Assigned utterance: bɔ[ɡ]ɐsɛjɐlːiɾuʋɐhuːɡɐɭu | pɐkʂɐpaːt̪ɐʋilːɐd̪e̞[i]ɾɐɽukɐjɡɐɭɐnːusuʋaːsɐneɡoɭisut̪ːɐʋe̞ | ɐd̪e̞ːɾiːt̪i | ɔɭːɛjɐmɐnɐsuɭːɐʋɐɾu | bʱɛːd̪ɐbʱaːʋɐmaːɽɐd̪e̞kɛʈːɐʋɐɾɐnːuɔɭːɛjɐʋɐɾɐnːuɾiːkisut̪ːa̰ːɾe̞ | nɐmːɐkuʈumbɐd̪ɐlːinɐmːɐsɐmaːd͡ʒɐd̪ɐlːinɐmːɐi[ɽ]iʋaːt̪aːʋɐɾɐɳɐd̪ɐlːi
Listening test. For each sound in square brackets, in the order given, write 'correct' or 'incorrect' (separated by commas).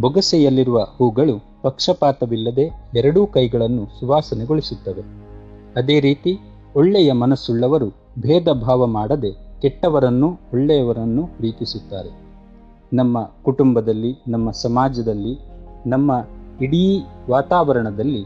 correct, incorrect, correct